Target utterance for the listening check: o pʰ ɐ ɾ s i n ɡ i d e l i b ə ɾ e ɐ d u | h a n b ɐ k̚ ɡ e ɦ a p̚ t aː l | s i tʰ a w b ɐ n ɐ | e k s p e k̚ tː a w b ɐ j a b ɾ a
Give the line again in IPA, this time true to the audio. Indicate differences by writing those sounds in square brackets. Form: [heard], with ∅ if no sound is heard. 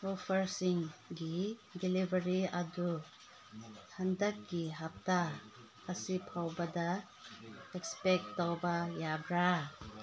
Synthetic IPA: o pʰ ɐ ɾ s i [ŋ] ɡ i d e l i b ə ɾ [i] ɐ d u | h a n [d] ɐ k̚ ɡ [i] ɦ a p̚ t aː [∅] | s i [pʰ] a w b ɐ [d] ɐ | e k s p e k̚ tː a w b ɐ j a b ɾ a